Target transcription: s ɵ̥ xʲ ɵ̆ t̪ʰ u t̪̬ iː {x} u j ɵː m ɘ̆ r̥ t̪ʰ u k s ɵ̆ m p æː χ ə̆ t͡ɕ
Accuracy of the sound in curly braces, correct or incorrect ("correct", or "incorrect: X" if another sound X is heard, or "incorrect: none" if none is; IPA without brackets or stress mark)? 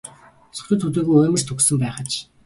incorrect: ɣ